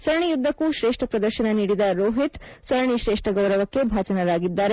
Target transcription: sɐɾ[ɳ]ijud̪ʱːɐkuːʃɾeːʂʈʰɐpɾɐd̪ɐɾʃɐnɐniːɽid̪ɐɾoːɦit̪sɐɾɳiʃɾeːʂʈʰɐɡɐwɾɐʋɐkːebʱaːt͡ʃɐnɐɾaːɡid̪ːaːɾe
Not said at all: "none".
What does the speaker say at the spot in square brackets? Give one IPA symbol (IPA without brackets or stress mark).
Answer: ɳ